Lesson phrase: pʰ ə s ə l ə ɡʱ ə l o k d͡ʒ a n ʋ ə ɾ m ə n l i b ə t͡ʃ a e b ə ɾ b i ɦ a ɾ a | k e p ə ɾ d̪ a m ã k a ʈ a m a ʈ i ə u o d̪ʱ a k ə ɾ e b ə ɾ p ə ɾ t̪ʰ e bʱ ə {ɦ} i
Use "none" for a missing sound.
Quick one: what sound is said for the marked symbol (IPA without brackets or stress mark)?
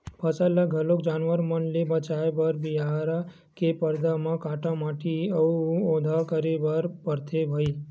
none